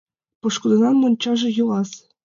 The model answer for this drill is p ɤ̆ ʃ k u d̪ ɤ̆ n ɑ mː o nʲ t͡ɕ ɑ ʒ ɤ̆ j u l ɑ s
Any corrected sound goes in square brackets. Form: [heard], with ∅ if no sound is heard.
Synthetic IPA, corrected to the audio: p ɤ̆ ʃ k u d̪ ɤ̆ n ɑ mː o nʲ t͡ɕ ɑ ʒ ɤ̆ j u l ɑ s

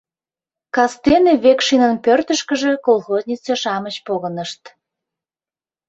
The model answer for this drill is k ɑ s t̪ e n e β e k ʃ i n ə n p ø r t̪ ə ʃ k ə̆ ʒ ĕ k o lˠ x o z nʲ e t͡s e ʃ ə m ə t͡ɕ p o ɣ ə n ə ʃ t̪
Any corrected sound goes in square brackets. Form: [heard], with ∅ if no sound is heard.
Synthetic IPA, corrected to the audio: k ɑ s t̪ e n e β e k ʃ i n ə n p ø r t̪ ə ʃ k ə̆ ʒ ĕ k o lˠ x o z nʲ [i] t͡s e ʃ [ɑ] m ə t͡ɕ p o ɣ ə n ə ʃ t̪

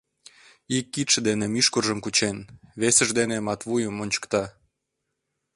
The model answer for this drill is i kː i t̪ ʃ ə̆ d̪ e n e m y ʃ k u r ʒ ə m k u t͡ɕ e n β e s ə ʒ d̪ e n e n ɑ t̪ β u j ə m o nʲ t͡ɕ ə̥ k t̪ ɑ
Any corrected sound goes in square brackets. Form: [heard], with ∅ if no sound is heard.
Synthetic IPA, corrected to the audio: i kː i t̪ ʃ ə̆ d̪ e n e m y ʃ k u r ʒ ə m k u t͡ɕ e n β e s ə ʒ d̪ e n e [m] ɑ t̪ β u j ə m o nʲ t͡ɕ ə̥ k t̪ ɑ

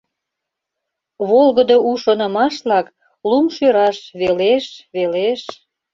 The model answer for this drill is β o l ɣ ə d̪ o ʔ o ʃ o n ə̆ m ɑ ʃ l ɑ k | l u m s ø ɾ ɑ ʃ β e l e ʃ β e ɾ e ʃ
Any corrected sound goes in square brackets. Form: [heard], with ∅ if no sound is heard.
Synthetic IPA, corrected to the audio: β o l ɣ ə d̪ o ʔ [u] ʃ o n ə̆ m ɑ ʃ l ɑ k | l u m [ʃ] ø ɾ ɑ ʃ β e l e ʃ β e [l] e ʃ

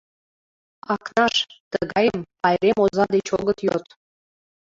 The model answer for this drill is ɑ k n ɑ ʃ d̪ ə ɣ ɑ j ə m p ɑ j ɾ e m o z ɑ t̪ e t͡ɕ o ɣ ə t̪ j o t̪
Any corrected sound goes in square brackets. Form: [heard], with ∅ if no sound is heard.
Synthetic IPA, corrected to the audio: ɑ k n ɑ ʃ [t̪] ə ɣ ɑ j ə m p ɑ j ɾ e m o z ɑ [d̪] e t͡ɕ o ɣ ə t̪ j o t̪

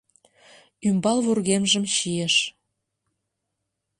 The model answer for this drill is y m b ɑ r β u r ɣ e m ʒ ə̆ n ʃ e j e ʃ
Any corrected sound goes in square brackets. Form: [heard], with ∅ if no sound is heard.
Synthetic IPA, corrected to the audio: y m b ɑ [l] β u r ɣ e m ʒ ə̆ [m] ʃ [i] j e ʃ

